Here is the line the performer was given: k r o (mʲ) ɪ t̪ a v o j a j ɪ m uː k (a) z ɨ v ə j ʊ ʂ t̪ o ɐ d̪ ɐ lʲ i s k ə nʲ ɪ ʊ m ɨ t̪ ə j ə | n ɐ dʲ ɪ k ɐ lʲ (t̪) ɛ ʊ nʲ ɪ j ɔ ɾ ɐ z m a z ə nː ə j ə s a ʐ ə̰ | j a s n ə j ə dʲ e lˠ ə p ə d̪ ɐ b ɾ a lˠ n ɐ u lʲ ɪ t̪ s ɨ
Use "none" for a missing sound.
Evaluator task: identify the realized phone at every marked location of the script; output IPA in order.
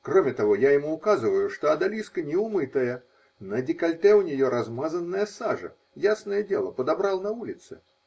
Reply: mʲ, a, t̪

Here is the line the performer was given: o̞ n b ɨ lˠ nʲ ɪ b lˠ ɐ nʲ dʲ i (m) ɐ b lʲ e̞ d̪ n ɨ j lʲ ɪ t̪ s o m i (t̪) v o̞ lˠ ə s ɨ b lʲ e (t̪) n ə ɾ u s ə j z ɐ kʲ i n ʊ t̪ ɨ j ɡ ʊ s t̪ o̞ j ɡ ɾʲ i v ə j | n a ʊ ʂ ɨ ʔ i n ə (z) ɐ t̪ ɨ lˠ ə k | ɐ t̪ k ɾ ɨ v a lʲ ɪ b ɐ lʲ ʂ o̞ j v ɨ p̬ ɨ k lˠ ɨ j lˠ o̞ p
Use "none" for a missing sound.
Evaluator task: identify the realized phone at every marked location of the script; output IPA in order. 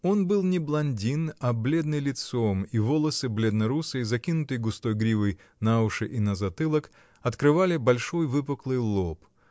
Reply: n, none, d̪, z

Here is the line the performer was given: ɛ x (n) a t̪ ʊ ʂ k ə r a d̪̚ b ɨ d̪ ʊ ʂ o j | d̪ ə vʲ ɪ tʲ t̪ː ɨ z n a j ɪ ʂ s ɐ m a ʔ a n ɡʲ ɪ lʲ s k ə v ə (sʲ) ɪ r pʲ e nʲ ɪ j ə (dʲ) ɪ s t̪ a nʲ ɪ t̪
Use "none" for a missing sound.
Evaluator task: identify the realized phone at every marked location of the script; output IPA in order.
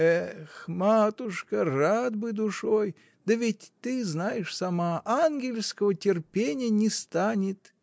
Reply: m, tʲ, nʲ

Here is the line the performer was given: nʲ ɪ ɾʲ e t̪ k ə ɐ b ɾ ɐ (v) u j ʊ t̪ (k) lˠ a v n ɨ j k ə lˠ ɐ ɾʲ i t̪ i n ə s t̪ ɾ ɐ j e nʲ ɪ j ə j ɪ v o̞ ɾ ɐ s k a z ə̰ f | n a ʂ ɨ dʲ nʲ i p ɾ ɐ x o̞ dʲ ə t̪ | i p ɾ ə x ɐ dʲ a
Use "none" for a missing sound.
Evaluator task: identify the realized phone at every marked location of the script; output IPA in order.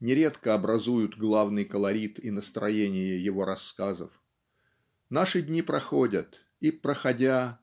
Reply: z, ɡ

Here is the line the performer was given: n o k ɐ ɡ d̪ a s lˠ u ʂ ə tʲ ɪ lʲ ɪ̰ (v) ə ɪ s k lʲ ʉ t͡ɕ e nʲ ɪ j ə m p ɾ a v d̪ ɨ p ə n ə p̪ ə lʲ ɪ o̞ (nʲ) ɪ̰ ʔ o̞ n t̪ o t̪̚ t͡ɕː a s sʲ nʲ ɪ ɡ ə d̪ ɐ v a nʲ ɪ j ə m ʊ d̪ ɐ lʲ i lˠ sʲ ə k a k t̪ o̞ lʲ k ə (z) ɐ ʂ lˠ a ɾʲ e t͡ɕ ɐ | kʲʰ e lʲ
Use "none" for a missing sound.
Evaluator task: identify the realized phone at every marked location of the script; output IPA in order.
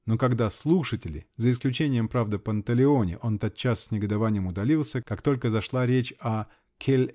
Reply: z, nʲ, z

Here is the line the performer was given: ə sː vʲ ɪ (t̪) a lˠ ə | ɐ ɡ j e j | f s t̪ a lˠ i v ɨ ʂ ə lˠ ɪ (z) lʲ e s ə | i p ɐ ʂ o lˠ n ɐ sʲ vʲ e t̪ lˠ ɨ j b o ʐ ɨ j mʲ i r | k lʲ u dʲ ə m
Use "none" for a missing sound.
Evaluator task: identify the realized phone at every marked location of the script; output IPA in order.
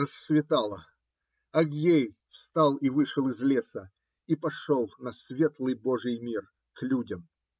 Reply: t̪, z

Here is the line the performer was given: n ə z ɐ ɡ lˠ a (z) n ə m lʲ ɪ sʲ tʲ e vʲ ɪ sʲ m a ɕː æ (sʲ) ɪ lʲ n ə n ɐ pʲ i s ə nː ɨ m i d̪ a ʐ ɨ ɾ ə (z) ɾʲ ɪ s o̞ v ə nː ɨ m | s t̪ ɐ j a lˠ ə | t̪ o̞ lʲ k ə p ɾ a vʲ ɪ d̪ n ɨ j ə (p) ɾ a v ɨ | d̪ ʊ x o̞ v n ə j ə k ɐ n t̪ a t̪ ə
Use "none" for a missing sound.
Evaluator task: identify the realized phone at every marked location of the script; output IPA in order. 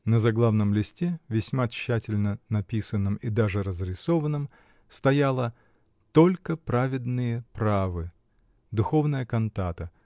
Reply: v, tʲ, z, p

